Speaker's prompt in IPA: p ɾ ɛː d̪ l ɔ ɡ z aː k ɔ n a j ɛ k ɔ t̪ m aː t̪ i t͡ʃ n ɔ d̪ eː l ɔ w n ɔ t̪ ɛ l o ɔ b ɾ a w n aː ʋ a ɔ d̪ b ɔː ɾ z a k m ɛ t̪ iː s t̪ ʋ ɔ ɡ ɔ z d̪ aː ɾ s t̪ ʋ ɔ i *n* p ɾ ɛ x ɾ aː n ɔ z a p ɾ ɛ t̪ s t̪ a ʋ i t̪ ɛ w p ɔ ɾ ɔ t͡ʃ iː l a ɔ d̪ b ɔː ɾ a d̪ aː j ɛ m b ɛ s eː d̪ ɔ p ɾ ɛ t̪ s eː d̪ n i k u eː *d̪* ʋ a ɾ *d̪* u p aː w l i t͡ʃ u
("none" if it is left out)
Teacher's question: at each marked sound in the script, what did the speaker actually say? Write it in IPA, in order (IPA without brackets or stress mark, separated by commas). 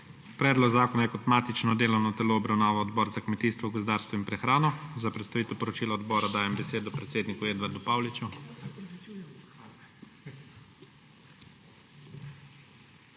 m, d̪, d̪